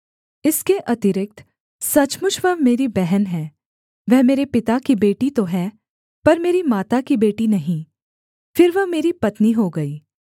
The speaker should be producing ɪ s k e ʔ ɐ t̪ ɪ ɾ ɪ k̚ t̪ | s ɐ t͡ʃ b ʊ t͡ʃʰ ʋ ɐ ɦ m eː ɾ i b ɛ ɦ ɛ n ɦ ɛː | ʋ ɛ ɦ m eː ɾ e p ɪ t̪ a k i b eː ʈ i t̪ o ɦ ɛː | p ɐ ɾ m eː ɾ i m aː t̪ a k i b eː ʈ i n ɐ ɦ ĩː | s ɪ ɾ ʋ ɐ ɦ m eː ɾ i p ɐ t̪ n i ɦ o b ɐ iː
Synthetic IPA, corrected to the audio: ɪ s k e ʔ ɐ t̪ ɪ ɾ ɪ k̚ t̪ | s ɐ t͡ʃ m ʊ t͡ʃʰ ʋ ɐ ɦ m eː ɾ i b ɛ ɦ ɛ n ɦ ɛː | ʋ ɛ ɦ m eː ɾ e p ɪ t̪ a k i b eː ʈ i t̪ o ɦ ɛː | p ɐ ɾ m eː ɾ i m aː t̪ a k i b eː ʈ i n ɐ ɦ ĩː | f ɪ ɾ ʋ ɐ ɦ m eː ɾ i p ɐ t̪ n i ɦ o ɡ ɐ iː